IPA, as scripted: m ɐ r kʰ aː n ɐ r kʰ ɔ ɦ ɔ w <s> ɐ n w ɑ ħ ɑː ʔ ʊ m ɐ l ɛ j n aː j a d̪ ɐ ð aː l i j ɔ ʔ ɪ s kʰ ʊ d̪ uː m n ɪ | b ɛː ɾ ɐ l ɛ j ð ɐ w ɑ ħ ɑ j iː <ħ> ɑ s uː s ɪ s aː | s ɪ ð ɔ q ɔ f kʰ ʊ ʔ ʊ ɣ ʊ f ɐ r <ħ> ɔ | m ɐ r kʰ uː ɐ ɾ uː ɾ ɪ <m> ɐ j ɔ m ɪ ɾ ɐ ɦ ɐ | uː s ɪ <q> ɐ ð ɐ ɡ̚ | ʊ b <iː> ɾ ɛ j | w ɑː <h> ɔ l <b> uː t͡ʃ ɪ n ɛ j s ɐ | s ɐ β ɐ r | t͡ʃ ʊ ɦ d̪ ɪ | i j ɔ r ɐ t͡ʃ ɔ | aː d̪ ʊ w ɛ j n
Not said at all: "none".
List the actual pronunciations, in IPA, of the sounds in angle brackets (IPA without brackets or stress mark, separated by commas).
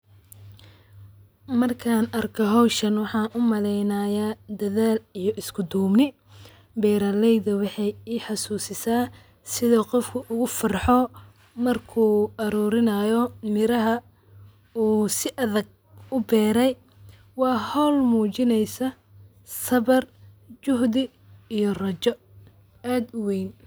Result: ʃ, ħ, ħ, n, ʔ, ɛː, h, m